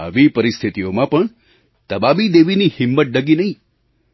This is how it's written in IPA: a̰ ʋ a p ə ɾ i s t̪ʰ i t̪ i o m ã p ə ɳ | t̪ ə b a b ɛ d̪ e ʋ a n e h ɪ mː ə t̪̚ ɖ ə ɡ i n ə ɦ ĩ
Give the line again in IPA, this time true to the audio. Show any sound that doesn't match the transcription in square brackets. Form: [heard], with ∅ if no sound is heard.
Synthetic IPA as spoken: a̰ ʋ [i] p ə ɾ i s t̪ʰ i t̪ i o m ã p ə ɳ | t̪ ə b a b [i] d̪ e ʋ [i] n [i] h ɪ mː ə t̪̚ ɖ ə ɡ i n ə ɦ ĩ